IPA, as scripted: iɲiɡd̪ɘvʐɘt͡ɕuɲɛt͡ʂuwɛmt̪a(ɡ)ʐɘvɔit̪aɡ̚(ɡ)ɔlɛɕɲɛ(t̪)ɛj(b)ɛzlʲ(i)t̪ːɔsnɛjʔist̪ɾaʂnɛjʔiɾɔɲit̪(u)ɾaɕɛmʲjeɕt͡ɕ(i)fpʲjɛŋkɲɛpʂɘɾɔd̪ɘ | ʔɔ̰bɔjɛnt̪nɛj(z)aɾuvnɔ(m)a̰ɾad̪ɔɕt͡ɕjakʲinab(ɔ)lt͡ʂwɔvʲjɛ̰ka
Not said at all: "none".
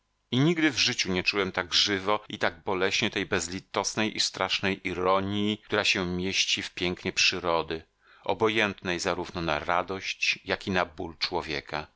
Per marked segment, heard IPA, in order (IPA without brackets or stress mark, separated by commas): ɡ, b, t̪, b, i, u, i, z, n, u